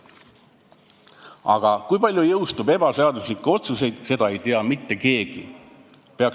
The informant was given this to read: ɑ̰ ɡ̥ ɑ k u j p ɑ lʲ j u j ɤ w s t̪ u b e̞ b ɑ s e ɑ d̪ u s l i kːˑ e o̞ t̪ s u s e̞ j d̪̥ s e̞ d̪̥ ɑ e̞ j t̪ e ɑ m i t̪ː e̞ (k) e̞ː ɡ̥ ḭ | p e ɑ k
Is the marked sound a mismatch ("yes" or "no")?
no